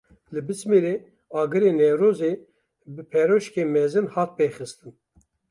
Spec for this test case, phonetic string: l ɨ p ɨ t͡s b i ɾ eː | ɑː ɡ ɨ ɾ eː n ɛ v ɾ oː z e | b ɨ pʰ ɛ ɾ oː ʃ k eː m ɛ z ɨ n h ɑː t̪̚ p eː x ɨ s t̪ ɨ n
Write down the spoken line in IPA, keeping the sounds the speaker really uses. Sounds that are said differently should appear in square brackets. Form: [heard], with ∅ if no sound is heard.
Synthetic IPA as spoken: l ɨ [b] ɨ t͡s [m] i ɾ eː | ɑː ɡ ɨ ɾ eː n ɛ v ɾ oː z e | b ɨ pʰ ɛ ɾ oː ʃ k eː m ɛ z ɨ n h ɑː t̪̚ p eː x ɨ s t̪ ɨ n